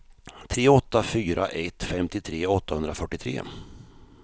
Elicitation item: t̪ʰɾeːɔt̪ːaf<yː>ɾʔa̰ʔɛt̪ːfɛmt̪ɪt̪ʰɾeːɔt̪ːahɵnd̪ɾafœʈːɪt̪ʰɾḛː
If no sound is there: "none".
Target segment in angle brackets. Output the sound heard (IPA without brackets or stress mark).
yː